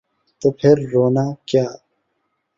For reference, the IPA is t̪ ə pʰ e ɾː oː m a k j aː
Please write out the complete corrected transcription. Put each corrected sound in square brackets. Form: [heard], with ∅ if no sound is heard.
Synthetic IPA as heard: t̪ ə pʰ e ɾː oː [n] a k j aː